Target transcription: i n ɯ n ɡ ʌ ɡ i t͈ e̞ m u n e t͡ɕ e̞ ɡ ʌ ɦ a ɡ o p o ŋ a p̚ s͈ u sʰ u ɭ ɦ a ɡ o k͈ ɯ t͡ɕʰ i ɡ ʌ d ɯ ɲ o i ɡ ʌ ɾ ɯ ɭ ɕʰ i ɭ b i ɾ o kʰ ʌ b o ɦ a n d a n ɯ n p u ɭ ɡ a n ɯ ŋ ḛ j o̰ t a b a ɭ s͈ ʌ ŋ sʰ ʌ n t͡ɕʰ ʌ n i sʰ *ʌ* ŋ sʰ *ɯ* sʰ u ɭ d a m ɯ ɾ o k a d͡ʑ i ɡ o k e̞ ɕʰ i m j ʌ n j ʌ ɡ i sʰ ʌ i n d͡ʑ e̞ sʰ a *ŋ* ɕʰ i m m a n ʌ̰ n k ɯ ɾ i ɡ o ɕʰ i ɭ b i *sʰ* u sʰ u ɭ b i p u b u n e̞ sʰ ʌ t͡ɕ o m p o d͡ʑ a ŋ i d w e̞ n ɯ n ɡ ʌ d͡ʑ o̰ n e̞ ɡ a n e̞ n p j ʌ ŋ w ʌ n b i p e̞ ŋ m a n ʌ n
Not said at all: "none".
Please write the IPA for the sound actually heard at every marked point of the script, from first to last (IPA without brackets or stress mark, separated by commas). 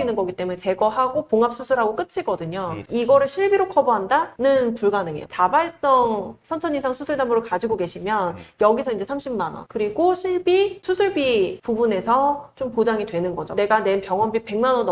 a, u, m, sʰ